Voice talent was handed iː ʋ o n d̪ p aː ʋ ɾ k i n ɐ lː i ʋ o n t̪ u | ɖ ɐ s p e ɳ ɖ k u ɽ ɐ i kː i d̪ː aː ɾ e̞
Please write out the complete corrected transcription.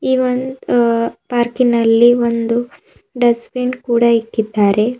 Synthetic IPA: iː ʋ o n d̪ p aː ɾ k i n ɐ lː i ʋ o n d̪ u | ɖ ɐ s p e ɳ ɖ k uː ɽ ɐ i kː i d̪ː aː ɾ e̞

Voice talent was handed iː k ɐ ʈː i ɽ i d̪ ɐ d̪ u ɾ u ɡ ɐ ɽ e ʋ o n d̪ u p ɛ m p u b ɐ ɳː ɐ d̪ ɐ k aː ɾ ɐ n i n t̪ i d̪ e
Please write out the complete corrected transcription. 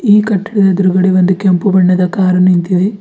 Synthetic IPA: iː k ɐ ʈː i ɽ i d̪ ɐ d̪ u ɾ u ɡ ɐ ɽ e ʋ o n d̪ u k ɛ m p u b ɐ ɳː ɐ d̪ ɐ k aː ɾ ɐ n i n t̪ i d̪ e

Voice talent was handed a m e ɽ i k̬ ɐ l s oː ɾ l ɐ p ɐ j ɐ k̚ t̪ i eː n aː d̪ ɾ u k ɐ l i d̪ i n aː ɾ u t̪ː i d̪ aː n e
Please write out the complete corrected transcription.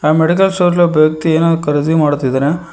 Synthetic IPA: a m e ɽ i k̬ ɐ l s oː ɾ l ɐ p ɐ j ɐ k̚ t̪ i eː n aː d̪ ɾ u k ɐ ɾ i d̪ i m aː ɽ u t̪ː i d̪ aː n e

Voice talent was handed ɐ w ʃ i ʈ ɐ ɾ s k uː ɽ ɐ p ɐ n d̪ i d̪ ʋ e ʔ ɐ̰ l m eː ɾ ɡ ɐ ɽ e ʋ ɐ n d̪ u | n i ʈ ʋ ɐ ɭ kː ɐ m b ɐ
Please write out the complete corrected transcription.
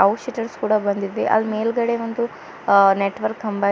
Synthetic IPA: ɐ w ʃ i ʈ ɐ ɾ s k uː ɽ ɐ b ɐ n d̪ i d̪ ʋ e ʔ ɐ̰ l m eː l ɡ ɐ ɽ e ʋ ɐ n d̪ u | n e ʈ ʋ ɐ ɾ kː ɐ m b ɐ

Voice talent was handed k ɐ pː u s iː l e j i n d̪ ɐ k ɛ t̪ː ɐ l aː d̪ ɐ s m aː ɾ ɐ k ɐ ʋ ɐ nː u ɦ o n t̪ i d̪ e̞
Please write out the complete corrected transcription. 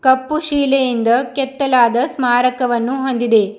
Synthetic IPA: k ɐ pː u ʃ iː l e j i n d̪ ɐ k ɛ t̪ː ɐ l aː d̪ ɐ s m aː ɾ ɐ k ɐ ʋ ɐ nː u ɦ o n d̪ i d̪ e̞

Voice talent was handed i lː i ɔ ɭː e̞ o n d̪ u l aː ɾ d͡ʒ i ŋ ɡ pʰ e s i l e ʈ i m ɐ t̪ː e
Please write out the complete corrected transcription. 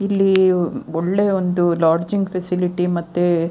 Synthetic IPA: i lː i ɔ ɭː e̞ o n d̪ u l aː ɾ d͡ʒ i ŋ ɡ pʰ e s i l i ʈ i m ɐ t̪ː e

